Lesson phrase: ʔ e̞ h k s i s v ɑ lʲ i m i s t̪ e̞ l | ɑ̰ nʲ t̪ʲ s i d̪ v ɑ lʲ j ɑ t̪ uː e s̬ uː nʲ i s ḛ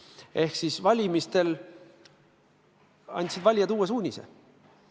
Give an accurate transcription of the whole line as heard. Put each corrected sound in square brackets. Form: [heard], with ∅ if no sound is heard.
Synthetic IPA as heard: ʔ e̞ h k s i s v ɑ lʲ i m i s t̪ e̞ l | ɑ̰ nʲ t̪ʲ s i d̪ v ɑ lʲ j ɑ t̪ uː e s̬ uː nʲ i s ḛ